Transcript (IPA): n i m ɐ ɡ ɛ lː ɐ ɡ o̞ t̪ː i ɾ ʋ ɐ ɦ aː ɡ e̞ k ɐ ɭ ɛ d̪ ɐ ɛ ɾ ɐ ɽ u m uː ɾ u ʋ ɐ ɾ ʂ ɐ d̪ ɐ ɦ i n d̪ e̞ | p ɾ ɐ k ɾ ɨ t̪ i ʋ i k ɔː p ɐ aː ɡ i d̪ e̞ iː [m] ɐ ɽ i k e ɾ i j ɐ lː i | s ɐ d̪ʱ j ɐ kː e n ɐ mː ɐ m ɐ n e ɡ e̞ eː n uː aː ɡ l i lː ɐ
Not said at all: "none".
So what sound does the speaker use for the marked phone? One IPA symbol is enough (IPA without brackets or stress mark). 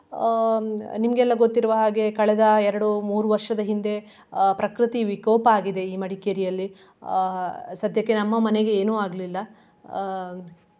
m